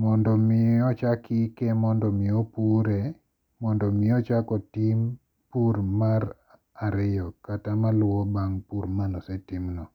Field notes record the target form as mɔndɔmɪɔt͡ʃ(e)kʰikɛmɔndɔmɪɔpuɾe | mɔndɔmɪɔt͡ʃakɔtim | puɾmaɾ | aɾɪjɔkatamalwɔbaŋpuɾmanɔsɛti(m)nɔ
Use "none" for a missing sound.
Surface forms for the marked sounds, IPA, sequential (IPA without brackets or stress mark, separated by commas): a, m